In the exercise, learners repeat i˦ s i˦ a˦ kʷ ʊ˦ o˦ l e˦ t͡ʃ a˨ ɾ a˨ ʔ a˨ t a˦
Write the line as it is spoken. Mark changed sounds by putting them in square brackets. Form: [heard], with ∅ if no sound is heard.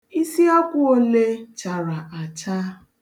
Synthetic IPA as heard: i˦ s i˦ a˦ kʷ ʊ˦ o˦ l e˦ t͡ʃ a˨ ɾ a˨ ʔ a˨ [t͡ʃ] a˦